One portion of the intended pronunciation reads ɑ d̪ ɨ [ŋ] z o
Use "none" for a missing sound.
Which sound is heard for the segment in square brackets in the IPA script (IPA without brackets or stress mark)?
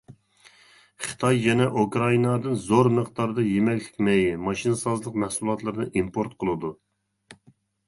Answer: n